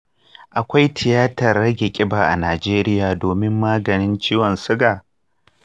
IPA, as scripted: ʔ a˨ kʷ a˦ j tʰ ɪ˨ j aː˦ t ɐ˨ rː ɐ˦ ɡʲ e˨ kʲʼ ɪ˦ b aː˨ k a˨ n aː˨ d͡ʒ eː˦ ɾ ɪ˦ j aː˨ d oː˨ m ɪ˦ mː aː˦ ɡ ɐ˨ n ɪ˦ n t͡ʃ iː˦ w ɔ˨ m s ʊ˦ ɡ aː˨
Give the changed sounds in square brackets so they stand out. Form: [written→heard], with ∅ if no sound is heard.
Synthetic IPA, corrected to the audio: ʔ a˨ kʷ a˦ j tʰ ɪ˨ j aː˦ t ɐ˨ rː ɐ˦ ɡʲ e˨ kʲʼ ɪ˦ b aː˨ [k→ʔ] a˨ n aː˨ d͡ʒ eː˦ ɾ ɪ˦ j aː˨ d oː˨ m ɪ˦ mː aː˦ ɡ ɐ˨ n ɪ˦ n t͡ʃ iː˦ w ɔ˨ [m→n] s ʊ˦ ɡ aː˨